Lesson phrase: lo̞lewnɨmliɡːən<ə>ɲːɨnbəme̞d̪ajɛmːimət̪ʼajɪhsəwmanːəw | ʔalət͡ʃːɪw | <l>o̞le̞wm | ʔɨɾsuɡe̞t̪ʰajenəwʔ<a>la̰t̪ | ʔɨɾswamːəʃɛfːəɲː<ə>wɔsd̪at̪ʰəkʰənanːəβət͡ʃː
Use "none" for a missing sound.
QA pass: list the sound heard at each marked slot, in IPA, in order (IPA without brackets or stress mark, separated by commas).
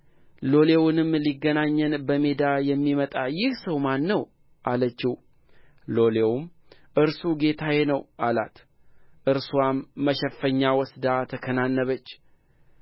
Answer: a, l, a, a